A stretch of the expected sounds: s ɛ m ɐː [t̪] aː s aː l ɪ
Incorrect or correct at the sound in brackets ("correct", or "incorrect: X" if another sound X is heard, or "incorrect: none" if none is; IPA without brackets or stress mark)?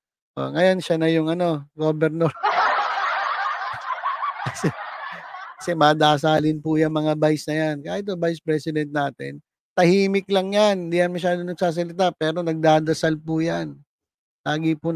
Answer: incorrect: d̪